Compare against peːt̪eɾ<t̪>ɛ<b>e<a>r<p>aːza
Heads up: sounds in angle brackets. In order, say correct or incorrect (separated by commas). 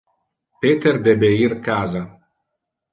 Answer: incorrect, correct, incorrect, incorrect